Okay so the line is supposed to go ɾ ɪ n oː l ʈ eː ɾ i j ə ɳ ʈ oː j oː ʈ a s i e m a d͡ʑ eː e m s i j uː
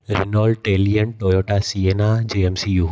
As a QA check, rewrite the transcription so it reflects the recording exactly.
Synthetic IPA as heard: ɾ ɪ n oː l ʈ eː l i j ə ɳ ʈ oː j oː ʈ a s i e n a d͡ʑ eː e m s i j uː